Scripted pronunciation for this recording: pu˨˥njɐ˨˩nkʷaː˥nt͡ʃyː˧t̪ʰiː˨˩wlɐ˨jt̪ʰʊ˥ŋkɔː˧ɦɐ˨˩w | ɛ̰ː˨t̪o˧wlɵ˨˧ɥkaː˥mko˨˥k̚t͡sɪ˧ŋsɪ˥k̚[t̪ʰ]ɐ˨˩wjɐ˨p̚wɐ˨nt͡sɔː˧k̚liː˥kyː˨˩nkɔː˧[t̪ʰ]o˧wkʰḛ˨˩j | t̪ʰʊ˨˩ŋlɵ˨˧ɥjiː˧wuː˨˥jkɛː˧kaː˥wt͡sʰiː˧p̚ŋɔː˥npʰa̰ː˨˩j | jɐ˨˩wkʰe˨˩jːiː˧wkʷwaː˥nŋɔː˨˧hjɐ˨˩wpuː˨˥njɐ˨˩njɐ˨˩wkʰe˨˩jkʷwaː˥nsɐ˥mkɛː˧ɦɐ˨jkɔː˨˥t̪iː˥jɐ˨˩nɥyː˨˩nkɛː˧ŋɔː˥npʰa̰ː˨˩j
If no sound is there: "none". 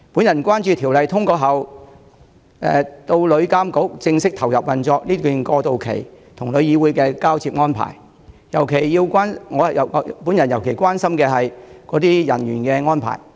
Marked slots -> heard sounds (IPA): t̪ʰ, t̪

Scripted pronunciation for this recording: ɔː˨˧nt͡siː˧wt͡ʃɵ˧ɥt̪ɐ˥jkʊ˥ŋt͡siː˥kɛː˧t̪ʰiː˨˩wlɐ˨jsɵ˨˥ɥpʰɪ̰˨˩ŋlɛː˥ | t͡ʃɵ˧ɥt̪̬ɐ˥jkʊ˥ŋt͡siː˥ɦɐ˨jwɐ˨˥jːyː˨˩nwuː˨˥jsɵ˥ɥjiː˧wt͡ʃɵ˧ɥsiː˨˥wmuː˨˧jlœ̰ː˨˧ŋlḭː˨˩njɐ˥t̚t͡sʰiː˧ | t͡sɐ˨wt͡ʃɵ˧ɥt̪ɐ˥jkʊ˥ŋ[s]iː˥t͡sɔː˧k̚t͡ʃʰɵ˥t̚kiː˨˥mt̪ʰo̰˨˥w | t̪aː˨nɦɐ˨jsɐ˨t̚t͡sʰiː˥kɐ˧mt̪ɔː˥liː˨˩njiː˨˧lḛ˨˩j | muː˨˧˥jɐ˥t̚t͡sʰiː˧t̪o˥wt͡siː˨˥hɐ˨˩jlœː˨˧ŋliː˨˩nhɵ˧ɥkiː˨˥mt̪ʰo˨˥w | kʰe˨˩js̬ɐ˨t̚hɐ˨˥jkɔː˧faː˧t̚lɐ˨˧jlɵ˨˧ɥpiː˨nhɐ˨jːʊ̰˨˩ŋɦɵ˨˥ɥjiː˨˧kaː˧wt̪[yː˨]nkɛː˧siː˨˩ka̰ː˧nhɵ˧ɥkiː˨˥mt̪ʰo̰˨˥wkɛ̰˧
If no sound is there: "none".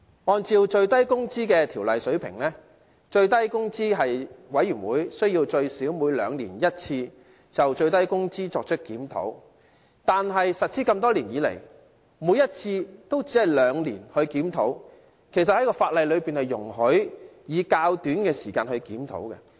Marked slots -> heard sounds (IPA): t͡s, yː˨˥

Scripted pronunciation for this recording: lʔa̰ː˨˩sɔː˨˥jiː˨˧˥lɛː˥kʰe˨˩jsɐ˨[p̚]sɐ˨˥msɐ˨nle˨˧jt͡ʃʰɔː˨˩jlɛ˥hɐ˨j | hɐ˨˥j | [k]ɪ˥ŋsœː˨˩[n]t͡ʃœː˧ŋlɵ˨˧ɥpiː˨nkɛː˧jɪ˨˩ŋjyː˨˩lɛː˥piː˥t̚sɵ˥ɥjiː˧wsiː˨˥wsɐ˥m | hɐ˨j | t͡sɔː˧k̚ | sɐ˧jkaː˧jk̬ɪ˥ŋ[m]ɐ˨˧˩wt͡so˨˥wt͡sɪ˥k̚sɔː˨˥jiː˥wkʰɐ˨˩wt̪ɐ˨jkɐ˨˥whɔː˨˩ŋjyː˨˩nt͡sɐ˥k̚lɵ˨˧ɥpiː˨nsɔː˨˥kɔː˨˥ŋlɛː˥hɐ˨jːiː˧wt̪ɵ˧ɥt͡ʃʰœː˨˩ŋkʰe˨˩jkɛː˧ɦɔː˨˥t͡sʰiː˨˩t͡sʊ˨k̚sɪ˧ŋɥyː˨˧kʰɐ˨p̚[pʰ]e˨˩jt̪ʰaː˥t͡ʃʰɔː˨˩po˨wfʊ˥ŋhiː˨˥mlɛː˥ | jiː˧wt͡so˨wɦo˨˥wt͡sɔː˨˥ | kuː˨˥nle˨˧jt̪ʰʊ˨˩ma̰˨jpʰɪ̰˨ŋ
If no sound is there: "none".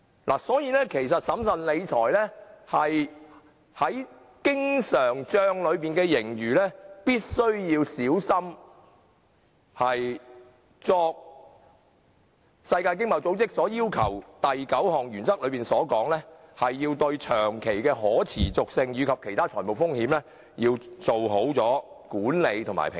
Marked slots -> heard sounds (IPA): t̚, k, ŋ, m, kʰ

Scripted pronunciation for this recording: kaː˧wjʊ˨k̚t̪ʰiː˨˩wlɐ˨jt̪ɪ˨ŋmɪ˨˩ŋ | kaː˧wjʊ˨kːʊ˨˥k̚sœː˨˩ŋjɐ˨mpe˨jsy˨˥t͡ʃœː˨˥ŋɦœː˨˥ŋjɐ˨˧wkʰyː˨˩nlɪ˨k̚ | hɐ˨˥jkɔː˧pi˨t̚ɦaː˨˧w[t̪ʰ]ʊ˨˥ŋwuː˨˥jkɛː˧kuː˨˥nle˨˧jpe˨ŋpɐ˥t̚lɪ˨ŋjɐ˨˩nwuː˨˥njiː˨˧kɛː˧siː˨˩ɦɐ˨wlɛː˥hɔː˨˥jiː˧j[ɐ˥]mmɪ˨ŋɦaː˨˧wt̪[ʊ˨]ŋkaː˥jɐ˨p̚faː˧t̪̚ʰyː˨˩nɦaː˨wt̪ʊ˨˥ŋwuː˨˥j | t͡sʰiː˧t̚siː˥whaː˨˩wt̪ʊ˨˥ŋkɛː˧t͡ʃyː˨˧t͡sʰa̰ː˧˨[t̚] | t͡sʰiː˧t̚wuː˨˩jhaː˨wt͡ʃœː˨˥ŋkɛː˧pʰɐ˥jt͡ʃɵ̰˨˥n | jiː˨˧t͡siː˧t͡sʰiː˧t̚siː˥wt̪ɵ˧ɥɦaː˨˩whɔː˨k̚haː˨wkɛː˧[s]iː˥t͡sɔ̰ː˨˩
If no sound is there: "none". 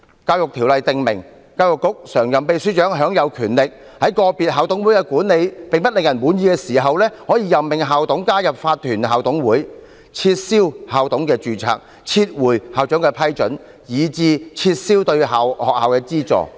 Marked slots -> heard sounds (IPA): t̪, ɐ˨, ʊ˨˥, k̚, t͡s

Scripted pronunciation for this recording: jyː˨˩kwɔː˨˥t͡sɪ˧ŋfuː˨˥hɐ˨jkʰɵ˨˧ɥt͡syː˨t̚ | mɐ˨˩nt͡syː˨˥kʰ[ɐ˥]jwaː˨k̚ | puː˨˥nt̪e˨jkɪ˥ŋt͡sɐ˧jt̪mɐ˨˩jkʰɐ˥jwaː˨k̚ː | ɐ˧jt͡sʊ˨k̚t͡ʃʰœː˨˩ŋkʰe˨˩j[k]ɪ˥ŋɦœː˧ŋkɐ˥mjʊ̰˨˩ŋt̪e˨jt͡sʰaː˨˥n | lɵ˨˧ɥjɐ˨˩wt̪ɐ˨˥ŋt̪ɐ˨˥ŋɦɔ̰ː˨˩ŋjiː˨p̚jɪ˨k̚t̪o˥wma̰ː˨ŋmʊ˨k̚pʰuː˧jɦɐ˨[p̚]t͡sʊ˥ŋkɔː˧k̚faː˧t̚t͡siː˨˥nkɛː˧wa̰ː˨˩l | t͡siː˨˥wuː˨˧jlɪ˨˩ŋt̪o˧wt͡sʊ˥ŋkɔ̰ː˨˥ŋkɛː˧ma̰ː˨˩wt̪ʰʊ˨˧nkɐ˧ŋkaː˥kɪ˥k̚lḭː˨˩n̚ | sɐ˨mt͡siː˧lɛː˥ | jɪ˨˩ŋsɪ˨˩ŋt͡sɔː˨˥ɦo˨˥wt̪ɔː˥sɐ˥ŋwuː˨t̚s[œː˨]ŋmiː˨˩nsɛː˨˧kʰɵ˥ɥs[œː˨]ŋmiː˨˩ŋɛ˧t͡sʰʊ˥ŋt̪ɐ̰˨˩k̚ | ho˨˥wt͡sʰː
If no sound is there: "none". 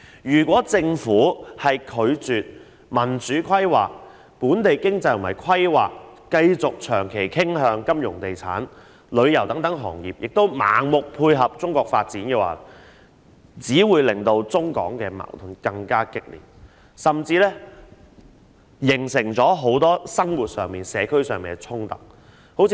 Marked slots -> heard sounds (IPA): ɐ˥, kʰ, p̚, œː˨, œː˨

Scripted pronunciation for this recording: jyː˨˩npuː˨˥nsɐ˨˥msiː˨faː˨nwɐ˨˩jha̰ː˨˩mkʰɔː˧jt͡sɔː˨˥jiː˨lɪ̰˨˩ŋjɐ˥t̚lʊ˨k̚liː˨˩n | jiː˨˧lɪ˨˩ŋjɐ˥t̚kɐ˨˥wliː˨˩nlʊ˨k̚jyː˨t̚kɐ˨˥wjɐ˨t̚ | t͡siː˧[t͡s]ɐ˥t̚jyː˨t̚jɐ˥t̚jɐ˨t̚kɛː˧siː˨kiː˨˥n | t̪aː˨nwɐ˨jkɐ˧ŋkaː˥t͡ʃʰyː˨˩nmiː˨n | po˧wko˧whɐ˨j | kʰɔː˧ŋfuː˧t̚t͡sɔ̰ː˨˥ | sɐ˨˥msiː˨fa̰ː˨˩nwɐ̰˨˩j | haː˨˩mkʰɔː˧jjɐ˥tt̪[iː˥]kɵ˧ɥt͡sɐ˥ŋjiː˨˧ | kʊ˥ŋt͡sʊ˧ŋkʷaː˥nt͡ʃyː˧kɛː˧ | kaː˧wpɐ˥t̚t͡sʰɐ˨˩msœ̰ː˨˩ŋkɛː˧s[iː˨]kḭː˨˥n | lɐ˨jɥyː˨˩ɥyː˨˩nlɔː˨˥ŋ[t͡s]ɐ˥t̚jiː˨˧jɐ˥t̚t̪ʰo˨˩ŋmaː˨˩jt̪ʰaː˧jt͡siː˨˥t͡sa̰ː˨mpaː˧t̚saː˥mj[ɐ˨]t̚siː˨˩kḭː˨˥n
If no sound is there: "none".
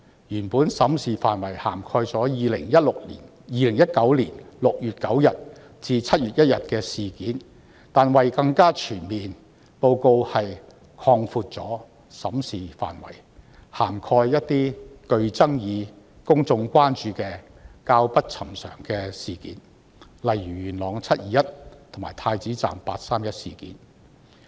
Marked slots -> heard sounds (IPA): t͡sʰ, iː˥, iː˨, t͡sʰ, ɐ˥

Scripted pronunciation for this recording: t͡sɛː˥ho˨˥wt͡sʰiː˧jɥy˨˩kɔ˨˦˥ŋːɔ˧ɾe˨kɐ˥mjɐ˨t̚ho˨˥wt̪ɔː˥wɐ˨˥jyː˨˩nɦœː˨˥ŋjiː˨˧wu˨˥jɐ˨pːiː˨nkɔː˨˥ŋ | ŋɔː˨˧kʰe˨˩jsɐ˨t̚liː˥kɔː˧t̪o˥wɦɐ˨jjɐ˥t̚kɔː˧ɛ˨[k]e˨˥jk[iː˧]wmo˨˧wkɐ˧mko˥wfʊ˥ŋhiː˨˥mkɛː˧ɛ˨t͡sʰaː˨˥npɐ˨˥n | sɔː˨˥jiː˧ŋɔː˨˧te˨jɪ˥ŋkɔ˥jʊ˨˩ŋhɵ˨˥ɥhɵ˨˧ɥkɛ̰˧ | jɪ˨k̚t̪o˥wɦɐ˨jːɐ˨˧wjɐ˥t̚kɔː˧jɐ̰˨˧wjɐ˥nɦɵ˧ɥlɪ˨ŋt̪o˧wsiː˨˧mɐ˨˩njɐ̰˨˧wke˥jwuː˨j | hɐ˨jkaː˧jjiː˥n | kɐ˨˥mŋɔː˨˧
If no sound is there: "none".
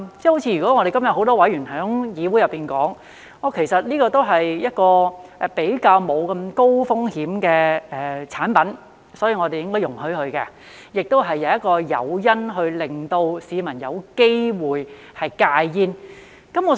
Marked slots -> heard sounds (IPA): p, aː˧

